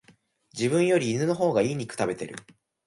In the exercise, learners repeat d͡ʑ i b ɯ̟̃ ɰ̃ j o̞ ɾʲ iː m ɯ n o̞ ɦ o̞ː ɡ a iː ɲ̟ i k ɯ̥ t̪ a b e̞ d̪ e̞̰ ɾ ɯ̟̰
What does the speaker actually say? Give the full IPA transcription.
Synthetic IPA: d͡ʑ i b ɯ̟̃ ɰ̃ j o̞ ɾʲ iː n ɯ n o̞ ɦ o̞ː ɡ a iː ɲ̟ i k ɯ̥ t̪ a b e̞ t̪ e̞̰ ɾ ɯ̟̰